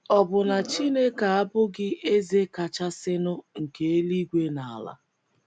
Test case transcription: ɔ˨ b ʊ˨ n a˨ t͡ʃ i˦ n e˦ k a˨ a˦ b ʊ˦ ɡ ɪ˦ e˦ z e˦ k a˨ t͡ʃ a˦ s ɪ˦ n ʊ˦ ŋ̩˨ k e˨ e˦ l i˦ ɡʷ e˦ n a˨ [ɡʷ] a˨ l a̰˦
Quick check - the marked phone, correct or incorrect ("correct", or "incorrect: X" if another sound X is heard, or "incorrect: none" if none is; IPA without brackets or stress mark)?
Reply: incorrect: none